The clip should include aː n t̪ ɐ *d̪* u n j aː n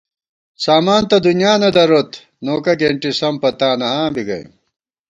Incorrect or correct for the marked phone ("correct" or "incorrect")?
correct